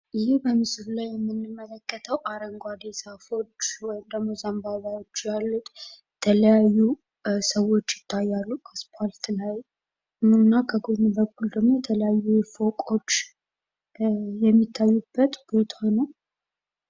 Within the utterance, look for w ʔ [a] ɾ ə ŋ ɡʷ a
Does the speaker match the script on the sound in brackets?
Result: yes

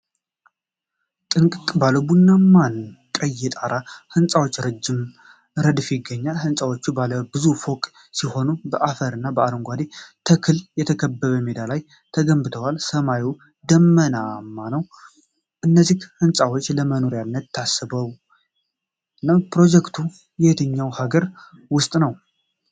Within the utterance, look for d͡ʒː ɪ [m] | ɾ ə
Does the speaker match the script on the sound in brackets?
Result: yes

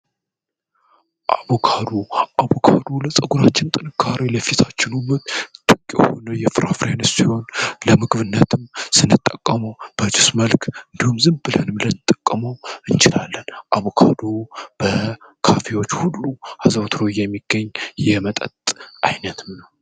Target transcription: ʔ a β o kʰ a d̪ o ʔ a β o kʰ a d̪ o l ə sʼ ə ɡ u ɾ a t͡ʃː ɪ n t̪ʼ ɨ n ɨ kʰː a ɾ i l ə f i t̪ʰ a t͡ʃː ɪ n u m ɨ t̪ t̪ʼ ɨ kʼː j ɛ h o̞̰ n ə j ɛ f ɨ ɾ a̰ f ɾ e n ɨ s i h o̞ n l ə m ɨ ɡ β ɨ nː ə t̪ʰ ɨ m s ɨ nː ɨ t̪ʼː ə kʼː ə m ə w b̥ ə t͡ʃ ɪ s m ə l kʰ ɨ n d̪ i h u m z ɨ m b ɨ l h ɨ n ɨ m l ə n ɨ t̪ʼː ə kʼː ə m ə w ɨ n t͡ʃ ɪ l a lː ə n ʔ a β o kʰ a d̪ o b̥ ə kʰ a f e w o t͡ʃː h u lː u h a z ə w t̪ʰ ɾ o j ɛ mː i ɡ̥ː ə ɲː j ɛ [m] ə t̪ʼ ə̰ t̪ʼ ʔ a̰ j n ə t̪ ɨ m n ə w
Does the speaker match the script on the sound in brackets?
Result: yes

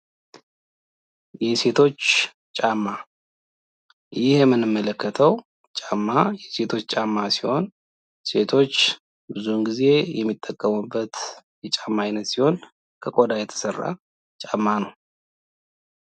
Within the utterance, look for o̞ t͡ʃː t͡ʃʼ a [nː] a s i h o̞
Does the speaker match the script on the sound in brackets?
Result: no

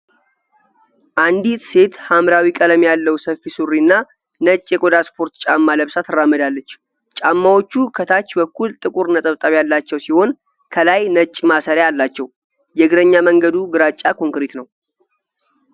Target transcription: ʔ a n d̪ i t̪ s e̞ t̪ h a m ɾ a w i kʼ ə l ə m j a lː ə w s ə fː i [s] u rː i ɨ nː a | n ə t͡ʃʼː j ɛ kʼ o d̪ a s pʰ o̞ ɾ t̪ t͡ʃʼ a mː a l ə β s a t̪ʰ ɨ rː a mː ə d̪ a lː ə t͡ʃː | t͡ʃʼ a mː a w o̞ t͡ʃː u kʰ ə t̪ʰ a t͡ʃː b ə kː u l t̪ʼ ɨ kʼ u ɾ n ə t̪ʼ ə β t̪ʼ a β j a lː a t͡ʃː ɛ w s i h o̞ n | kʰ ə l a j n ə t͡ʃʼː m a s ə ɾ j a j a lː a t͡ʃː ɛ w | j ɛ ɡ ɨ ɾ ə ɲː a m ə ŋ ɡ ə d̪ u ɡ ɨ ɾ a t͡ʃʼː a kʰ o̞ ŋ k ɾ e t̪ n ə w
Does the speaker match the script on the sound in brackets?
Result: yes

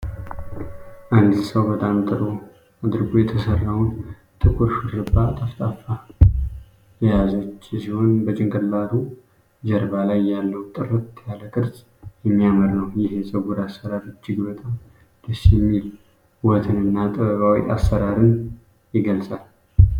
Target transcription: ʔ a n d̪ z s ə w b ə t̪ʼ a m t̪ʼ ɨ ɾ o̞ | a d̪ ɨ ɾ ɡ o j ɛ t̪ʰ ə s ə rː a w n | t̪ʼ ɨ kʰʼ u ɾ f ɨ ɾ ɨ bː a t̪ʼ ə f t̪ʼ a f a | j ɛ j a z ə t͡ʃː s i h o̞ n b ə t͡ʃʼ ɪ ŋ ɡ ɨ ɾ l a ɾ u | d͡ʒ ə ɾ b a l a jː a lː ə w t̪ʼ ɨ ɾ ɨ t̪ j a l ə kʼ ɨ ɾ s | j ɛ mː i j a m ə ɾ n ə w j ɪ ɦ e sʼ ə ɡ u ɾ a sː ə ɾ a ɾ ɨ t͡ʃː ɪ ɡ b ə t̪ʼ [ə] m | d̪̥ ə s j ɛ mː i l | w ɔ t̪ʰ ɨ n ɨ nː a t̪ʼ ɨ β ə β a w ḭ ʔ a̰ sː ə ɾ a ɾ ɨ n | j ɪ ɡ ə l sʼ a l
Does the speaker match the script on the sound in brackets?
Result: no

